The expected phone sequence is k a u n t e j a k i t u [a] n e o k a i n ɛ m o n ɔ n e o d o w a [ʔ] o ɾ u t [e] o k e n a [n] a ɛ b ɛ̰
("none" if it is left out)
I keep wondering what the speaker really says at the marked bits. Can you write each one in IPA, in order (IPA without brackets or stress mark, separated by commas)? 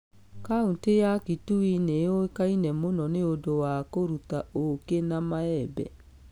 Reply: i, k, a, m